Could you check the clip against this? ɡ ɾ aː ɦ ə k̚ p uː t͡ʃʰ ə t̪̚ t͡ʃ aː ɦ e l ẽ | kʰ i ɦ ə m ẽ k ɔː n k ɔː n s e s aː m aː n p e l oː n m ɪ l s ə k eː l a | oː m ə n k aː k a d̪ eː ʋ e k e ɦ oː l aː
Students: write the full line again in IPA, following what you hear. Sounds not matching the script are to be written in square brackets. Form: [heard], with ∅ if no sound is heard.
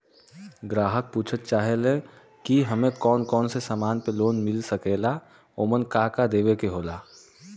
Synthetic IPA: ɡ ɾ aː ɦ ə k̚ p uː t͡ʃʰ ə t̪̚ t͡ʃ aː ɦ e l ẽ | [k] i ɦ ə m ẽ k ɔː n k ɔː n s e s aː m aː n p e l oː n m ɪ l s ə k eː l a | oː m ə n k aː k a d̪ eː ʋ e k e ɦ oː l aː